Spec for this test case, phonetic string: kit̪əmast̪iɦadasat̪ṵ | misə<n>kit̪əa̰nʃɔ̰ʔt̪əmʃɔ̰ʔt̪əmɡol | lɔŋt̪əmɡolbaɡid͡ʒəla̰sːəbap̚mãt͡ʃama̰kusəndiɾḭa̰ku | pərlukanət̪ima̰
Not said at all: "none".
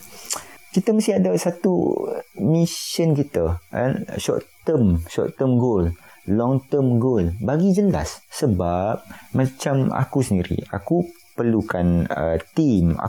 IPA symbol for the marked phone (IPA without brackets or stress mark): n